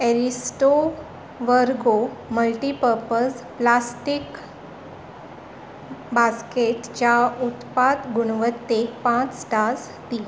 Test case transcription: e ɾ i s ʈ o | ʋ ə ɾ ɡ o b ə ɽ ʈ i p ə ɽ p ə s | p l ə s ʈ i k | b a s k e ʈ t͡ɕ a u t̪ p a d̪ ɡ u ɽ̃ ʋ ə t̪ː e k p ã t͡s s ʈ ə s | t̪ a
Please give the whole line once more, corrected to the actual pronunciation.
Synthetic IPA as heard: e ɾ i s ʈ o | ʋ ə ɾ ɡ o m ə l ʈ i p ə ɾ p ə s | p l a s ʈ i k | b a s k e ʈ t͡ɕ a u t̪ p a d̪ ɡ u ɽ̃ ʋ ə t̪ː e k p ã t͡s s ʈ a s | t̪ i